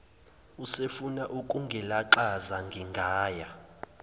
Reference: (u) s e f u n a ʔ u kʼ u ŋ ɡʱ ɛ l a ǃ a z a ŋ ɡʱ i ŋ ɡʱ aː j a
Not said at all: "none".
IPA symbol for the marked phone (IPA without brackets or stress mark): u